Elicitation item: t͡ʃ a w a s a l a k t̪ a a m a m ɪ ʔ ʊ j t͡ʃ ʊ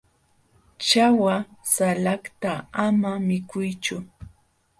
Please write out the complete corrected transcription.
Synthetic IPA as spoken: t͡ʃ a w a s a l a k t̪ a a m a m ɪ k ʊ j t͡ʃ ʊ